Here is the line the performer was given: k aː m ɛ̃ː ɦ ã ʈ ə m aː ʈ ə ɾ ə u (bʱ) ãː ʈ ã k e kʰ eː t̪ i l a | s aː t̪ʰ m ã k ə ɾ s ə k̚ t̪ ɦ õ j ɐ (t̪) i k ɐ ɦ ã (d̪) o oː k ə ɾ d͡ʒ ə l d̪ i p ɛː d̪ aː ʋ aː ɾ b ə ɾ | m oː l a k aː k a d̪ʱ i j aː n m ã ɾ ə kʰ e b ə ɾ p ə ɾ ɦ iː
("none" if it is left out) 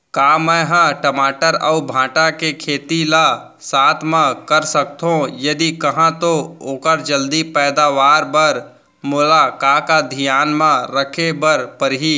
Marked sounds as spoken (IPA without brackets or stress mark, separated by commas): bʱ, d̪, t̪